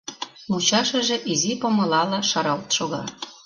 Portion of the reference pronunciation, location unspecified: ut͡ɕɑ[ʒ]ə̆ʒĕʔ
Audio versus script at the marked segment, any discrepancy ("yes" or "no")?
yes